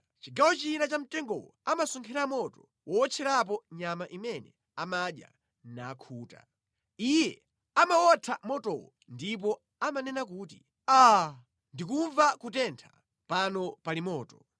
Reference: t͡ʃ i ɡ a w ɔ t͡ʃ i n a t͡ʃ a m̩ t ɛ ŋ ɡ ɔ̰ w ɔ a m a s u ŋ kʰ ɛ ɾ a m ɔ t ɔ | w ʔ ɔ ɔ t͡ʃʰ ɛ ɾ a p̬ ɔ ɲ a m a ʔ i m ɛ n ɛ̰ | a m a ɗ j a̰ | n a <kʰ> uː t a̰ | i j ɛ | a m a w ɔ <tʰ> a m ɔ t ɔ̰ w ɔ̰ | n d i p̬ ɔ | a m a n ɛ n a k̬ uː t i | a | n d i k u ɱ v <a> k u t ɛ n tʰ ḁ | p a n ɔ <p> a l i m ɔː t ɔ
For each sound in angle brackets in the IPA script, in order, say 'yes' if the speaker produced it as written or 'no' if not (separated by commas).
yes, yes, yes, yes